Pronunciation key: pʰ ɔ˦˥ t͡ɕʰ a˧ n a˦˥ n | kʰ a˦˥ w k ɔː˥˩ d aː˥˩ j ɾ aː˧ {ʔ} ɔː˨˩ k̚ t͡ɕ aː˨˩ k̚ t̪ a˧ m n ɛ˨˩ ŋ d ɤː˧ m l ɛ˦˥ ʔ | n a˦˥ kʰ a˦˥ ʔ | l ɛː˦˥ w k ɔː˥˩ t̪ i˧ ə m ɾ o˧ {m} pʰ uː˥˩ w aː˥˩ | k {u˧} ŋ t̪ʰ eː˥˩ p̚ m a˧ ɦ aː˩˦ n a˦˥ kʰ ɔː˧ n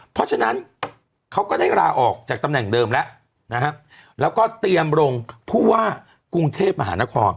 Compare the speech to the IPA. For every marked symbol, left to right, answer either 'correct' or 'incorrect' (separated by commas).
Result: correct, incorrect, correct